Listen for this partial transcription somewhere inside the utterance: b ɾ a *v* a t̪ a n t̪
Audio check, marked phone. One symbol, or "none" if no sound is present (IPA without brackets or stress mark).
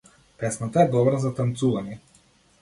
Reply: z